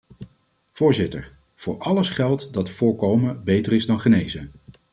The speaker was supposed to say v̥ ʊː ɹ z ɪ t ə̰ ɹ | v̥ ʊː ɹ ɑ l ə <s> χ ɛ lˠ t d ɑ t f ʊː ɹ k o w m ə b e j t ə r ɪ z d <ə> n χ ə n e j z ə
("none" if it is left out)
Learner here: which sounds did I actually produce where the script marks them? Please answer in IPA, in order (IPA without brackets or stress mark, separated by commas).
s, ɑ